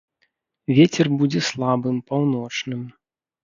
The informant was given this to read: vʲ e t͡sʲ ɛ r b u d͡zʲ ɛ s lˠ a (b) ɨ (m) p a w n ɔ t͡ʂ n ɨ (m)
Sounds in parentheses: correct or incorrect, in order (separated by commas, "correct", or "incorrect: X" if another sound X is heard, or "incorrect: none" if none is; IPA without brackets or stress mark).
correct, correct, correct